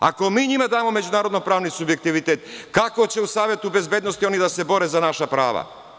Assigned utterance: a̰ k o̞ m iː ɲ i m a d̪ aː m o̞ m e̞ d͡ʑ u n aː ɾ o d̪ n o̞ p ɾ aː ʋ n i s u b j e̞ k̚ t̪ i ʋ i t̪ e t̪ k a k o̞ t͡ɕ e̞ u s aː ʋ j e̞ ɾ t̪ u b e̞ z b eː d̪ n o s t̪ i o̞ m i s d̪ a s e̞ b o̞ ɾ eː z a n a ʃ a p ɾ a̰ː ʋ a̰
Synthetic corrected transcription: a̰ k o̞ m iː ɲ i m a d̪ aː m o̞ m e̞ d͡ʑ u n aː ɾ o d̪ n o̞ p ɾ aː ʋ n i s u b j e̞ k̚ t̪ i ʋ i t̪ e t̪ k a k o̞ t͡ɕ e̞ u s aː ʋ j e̞ t̪ u b e̞ z b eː d̪ n o s t̪ i o̞ n i d̪ a s e̞ b o̞ ɾ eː z a n a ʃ a p ɾ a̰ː ʋ a̰